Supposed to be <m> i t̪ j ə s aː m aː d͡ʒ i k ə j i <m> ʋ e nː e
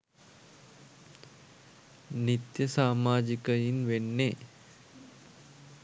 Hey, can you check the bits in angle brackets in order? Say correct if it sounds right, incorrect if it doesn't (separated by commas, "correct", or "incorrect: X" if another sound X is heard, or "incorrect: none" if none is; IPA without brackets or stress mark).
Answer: incorrect: n, incorrect: n